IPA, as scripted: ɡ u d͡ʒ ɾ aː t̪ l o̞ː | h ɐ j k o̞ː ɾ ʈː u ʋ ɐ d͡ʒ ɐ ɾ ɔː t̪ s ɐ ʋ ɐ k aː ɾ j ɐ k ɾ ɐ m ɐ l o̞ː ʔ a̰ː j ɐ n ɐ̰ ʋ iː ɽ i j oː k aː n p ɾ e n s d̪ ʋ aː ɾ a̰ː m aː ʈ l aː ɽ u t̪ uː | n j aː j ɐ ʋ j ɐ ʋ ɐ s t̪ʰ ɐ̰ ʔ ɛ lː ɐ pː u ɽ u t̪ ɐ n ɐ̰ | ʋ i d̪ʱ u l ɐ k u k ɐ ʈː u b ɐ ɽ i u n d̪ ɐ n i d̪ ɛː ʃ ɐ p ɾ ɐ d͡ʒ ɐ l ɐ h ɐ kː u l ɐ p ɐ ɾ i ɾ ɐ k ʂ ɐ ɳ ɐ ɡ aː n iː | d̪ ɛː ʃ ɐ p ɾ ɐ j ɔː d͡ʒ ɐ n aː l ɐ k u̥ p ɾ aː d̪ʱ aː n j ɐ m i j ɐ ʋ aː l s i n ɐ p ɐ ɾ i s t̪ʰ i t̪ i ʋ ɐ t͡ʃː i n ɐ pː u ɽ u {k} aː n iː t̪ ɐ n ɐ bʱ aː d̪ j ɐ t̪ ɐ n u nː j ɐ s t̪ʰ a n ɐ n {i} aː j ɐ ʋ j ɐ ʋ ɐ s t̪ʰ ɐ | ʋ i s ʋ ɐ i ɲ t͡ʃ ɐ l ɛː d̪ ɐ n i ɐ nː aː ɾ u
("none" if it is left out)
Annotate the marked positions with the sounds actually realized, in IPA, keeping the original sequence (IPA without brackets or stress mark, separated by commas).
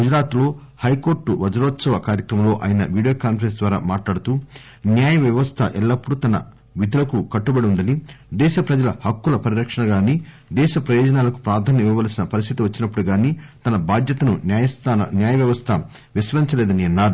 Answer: ɡ, j